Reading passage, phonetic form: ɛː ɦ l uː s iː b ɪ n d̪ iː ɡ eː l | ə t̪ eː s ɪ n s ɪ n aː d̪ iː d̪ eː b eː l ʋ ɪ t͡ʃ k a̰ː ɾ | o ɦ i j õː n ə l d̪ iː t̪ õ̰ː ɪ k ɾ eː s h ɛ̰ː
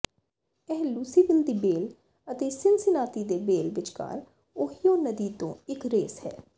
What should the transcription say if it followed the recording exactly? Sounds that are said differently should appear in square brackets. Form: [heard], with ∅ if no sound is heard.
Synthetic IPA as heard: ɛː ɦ l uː s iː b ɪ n d̪ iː [b] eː l | ə t̪ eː s ɪ n s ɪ n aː [t̪] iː d̪ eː b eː l ʋ ɪ t͡ʃ k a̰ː ɾ | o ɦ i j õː n ə [∅] d̪ iː t̪ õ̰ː ɪ k ɾ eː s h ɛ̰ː